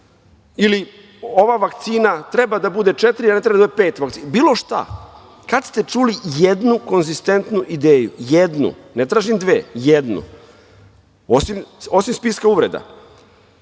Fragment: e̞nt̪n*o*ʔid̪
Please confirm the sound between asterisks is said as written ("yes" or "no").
no